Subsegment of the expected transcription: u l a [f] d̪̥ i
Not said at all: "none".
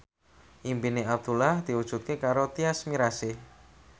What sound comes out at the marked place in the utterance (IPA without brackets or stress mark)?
h